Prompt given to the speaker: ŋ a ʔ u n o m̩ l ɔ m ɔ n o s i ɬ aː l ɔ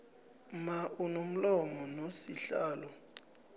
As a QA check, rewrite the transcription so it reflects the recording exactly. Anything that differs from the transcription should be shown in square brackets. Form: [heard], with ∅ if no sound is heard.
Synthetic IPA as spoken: [m] a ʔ u n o m̩ l ɔ m ɔ n o s i ɬ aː l ɔ